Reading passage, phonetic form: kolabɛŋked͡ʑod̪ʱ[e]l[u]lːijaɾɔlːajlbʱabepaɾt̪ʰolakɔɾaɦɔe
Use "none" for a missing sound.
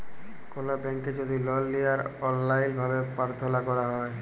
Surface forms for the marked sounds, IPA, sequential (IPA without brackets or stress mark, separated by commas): i, ɔ